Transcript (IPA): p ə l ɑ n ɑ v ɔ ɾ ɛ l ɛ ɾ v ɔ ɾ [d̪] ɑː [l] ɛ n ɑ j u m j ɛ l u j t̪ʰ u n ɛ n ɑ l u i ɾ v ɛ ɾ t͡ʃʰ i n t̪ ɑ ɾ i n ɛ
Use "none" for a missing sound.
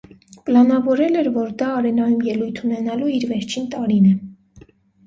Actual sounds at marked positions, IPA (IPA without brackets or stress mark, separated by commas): d̪, ɾ